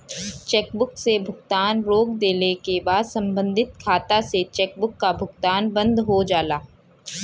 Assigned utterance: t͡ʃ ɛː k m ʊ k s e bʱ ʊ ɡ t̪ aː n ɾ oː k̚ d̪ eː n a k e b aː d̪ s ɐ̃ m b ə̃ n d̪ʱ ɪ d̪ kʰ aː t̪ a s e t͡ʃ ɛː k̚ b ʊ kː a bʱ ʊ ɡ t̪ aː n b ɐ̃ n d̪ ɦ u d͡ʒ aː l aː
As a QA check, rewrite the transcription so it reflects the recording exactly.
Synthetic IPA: t͡ʃ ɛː k b ʊ k s e bʱ ʊ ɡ t̪ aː n ɾ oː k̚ d̪ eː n e k e b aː d̪ s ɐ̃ m b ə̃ n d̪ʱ ɪ t̪ kʰ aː t̪ a s e t͡ʃ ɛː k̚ b ʊ kː a bʱ ʊ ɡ t̪ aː n b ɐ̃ n d̪ ɦ o d͡ʒ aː l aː